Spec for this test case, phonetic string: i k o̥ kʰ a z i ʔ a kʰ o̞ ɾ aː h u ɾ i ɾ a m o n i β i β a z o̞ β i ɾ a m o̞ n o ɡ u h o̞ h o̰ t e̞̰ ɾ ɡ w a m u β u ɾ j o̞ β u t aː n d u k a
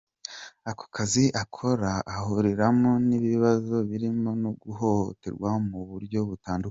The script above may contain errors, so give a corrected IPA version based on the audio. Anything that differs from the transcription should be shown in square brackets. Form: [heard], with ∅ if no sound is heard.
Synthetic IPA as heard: [a] k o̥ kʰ a z i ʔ a kʰ o̞ ɾ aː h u ɾ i ɾ a m o n i β i β a z o̞ β i ɾ [i] m o̞ n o ɡ u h o̞ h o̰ t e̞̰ ɾ ɡ w a m u β u ɾ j o̞ β u t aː n d u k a